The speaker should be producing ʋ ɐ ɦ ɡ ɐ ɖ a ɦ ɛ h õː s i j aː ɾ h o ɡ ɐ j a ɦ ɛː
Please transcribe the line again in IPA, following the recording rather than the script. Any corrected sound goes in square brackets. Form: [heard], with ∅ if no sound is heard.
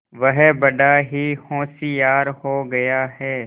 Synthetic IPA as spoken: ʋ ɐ ɦ [b] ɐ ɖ a ɦ [i] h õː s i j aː ɾ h o ɡ ɐ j a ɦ ɛː